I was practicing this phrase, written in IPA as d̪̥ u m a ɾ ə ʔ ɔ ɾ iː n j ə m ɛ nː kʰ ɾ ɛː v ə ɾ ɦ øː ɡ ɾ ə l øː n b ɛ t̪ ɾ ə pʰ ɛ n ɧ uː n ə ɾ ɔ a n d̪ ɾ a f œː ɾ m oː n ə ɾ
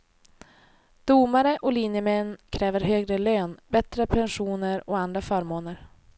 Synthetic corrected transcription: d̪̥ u m a ɾ ə ʔ ɔ l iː n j ə m ɛ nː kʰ ɾ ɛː v ə ɾ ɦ øː ɡ ɾ ə l øː n b ɛ t̪ ɾ ə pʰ ɛ n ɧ uː n ə ɾ ɔ a n d̪ ɾ a f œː ɾ m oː n ə ɾ